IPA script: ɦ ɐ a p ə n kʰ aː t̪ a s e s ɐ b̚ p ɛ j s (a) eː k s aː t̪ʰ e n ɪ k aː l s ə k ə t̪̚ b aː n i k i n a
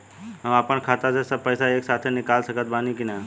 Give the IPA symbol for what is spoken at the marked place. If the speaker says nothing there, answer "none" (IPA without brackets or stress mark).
a